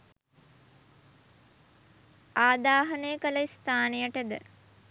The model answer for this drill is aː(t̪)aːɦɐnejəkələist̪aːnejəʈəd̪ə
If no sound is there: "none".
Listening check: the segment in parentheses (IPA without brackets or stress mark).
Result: d̪